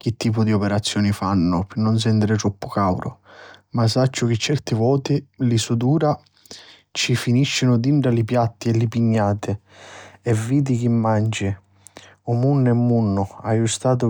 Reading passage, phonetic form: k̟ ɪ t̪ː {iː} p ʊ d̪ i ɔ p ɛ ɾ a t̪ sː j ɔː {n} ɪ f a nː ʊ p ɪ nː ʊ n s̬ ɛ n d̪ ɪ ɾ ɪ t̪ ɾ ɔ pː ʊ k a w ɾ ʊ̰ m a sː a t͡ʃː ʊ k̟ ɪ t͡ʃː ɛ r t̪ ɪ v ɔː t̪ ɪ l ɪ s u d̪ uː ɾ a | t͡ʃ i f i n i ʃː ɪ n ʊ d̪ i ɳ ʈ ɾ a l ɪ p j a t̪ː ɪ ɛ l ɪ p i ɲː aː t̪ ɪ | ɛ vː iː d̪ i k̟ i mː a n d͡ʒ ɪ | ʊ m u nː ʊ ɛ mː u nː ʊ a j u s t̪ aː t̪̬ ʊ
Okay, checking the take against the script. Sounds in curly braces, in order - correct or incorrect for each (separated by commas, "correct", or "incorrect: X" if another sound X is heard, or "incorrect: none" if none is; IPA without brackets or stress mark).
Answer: correct, correct